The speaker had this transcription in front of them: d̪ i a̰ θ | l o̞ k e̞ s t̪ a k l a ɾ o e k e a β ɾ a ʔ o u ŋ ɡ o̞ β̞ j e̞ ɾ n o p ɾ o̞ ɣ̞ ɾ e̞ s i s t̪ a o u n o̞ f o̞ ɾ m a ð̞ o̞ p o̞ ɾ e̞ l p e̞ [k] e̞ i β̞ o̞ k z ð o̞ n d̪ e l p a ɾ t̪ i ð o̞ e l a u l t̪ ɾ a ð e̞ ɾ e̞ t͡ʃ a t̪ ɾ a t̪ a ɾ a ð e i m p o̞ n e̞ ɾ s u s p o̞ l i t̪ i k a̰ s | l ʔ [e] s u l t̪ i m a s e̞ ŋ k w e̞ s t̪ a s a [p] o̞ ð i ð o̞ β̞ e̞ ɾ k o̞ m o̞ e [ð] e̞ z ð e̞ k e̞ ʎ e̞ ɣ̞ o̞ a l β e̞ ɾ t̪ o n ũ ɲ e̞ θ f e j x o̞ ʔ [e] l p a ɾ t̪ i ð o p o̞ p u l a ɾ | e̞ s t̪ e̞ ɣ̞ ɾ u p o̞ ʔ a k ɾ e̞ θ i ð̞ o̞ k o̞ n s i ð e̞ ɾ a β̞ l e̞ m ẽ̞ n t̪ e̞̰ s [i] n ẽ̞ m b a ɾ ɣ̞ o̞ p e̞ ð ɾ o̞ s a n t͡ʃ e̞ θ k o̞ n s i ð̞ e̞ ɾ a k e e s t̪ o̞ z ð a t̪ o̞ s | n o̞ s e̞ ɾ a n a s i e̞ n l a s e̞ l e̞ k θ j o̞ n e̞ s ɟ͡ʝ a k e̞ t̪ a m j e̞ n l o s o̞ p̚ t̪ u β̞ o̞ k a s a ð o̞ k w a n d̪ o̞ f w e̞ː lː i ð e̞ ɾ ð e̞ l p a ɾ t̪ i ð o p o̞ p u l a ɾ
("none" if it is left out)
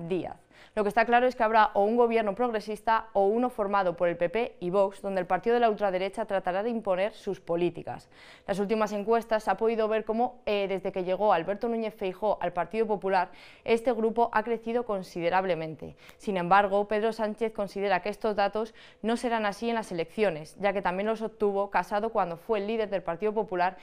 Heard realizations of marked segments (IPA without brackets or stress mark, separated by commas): p, a, p, ð, a, i